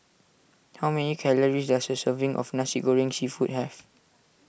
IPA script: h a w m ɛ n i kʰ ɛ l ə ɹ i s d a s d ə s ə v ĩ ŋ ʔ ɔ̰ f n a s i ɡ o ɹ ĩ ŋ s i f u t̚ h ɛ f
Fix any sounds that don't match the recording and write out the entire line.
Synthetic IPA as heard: h a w m ɛ n i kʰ ɛ l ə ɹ i s d a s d ə s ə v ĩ ŋ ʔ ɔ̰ f n a s i ɡ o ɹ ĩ ŋ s i f u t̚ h ɛ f